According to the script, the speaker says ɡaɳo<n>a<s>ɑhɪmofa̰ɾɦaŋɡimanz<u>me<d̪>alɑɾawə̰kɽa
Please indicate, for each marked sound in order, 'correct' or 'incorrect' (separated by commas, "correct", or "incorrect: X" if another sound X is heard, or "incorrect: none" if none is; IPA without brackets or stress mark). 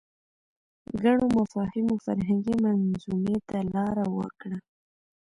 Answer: incorrect: m, incorrect: f, correct, incorrect: t̪